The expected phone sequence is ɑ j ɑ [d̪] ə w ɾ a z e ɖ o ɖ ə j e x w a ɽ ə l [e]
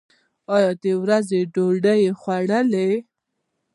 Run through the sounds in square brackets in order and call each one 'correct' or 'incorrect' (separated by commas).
correct, correct